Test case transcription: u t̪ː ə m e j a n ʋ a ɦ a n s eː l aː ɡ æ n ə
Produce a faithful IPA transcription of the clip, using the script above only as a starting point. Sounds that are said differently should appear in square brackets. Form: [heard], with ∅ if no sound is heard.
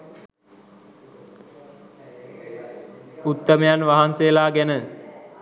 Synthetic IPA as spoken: u t̪ː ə m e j a n ʋ a ɦ a n s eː l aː ɡ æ n ə